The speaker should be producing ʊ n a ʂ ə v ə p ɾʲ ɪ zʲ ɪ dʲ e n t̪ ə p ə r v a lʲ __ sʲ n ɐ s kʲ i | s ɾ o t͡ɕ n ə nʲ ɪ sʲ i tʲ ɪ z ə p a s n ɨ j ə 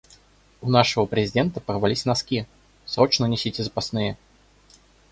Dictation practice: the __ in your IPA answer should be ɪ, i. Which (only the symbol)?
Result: i